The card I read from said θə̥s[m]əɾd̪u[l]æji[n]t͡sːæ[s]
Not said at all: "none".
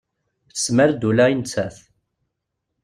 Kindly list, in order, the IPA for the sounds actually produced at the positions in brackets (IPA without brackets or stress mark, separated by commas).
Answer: m, l, n, θ